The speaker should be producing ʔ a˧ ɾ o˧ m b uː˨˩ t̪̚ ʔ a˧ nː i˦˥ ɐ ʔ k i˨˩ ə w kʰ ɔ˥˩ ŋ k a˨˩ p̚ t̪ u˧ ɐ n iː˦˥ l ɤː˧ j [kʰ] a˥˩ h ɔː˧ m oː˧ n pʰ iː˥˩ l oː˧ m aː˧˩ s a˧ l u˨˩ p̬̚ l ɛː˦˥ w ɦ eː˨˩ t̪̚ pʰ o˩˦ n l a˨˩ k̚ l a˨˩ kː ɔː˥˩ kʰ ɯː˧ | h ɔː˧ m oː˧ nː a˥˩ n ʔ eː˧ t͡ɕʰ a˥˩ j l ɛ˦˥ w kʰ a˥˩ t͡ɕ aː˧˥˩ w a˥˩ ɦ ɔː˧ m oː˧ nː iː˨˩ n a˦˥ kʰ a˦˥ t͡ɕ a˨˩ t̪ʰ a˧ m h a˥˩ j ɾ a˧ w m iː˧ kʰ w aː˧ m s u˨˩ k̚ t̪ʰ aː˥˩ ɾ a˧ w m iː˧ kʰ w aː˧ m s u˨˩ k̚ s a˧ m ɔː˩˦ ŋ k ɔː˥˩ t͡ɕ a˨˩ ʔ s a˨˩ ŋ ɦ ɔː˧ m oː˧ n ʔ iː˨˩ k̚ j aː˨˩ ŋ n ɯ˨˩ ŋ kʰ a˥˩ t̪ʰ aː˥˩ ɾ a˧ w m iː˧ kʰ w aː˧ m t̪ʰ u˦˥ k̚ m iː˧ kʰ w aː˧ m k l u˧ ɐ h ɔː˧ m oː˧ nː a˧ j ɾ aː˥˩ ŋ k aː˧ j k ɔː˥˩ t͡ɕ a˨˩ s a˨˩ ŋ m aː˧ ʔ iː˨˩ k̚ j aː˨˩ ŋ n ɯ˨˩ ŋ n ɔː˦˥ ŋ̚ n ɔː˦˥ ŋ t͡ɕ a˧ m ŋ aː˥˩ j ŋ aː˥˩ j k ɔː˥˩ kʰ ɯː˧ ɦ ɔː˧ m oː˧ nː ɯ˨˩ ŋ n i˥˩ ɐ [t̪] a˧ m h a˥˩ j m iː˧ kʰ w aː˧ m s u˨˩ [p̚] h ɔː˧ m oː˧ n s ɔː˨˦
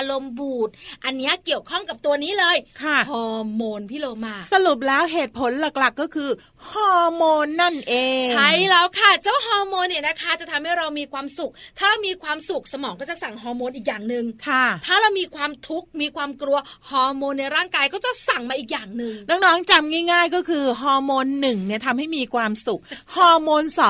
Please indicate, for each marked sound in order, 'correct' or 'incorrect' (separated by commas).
correct, incorrect, incorrect